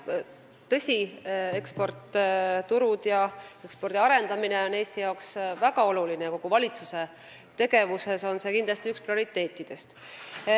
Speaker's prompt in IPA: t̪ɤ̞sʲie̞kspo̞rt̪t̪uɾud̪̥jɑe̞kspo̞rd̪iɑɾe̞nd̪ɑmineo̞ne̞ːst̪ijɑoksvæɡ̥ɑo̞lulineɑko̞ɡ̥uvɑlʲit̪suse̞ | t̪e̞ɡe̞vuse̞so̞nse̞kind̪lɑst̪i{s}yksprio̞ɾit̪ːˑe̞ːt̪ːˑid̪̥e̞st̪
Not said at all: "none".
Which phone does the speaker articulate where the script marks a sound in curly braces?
none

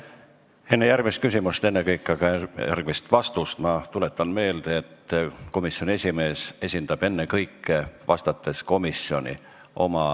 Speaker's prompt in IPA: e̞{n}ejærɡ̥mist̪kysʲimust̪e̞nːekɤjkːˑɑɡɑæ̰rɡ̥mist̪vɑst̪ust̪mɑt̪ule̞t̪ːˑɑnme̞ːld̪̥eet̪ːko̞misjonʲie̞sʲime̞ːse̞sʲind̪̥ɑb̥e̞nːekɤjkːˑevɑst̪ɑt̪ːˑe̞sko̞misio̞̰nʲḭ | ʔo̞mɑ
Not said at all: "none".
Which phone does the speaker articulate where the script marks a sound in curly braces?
nː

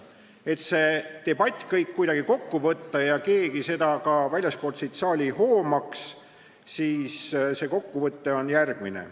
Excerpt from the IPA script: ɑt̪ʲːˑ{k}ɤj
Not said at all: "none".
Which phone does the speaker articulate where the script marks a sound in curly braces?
k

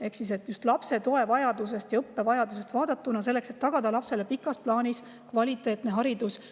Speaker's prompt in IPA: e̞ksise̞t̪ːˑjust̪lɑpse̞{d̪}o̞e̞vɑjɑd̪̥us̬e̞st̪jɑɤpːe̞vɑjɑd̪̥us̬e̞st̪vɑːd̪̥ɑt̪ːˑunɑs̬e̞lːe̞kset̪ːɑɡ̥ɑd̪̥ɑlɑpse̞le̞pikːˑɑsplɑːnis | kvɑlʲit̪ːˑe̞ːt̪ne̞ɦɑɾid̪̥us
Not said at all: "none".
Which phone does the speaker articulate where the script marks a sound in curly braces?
t̪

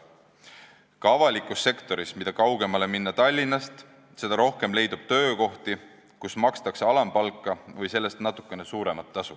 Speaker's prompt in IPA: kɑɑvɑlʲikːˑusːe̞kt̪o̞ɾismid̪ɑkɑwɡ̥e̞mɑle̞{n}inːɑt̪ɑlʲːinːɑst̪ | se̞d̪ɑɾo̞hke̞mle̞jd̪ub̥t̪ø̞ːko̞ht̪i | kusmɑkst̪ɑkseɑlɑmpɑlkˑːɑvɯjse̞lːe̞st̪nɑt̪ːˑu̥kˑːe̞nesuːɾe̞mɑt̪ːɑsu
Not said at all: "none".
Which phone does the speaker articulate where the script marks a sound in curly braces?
m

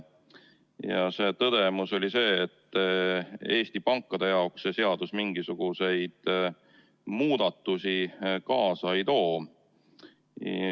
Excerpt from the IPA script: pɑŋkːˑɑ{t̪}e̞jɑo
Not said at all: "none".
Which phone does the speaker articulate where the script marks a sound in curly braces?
d̪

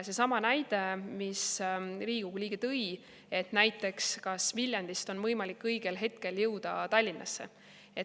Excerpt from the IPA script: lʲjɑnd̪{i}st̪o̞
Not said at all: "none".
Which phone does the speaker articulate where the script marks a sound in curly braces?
i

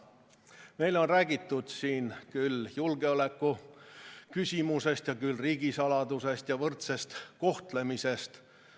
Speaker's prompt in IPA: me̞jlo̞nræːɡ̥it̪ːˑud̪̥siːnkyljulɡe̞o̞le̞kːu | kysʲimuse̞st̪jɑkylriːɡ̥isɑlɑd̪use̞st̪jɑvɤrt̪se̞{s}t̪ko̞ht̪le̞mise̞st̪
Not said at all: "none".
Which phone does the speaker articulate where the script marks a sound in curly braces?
s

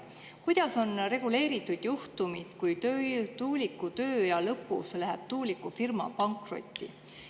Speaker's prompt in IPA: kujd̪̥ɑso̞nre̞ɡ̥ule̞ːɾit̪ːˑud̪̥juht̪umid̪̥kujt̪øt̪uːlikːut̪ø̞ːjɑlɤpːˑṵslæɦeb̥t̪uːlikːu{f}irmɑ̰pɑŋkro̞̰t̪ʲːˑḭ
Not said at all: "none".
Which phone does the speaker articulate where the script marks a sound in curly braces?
f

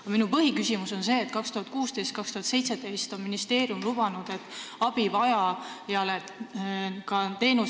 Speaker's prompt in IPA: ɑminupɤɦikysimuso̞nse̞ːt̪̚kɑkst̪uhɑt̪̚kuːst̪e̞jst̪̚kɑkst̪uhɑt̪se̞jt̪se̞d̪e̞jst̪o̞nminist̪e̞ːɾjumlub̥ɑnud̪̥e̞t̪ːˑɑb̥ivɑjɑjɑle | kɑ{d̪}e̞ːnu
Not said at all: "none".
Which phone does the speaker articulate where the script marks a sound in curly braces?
t̪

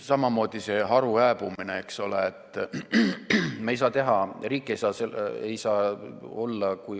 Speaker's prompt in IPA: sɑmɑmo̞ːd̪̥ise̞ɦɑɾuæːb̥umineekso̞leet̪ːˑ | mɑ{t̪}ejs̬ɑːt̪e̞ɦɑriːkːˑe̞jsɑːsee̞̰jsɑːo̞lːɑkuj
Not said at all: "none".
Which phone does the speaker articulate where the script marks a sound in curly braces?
none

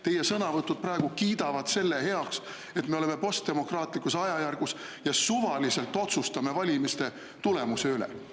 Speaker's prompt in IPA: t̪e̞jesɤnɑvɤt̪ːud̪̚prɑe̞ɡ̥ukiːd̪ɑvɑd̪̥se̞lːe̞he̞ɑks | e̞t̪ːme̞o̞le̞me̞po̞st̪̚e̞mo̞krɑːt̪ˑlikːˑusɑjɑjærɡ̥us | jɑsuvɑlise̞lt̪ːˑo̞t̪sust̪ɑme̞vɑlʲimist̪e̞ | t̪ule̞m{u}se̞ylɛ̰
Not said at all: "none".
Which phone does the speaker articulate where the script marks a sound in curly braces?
u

